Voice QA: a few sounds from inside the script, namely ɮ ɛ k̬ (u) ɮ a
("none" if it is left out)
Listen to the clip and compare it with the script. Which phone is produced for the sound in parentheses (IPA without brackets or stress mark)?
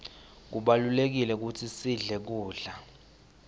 uː